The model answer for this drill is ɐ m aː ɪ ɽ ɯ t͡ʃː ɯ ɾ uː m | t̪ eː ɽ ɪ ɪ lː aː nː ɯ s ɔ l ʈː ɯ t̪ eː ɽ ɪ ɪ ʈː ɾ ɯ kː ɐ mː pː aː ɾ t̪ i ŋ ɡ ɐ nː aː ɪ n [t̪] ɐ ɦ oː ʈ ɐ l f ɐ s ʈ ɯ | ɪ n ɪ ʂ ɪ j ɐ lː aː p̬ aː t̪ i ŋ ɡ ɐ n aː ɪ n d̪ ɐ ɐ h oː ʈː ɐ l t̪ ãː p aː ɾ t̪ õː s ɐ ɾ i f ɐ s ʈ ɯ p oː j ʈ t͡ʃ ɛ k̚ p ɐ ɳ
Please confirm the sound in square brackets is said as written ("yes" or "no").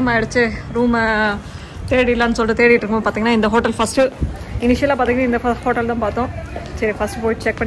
no